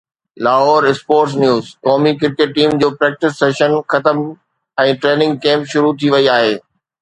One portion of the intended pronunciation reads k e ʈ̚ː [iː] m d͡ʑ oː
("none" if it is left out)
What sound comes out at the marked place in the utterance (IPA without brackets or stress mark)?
iː